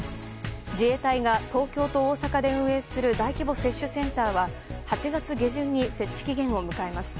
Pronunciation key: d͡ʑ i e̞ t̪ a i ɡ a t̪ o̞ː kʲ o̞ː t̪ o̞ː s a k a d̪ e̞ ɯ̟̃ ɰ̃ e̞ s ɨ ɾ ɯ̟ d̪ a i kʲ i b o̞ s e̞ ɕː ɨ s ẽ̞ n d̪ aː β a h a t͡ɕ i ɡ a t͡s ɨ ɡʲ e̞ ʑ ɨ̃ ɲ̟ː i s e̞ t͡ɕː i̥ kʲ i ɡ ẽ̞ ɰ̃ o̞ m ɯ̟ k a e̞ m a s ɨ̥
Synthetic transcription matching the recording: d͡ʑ i e̞ t̪ a i ɡ a t̪ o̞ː kʲ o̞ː t̪ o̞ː s a k a d̪ e̞ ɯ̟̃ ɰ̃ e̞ s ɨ ɾ ɯ̟ d̪ a i kʲ i b o̞ s e̞ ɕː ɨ s ẽ̞ n t̪ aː β a h a t͡ɕ i ɡ a t͡s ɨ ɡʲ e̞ ʑ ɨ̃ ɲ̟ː i s e̞ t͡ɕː i̥ kʲ i ɡ ẽ̞ ɰ̃ o̞ m ɯ̟ k a e̞ m a s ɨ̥